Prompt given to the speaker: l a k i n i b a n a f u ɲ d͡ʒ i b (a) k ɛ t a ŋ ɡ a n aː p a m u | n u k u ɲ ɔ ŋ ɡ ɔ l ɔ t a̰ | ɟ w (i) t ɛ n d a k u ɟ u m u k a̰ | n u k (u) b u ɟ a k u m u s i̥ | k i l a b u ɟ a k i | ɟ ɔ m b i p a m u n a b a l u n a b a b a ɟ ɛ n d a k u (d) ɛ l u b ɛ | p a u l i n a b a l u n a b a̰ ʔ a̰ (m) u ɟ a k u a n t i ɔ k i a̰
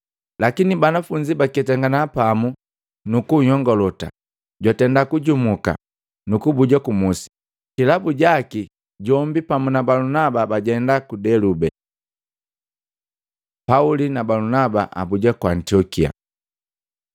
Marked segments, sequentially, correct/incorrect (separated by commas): correct, incorrect, correct, correct, incorrect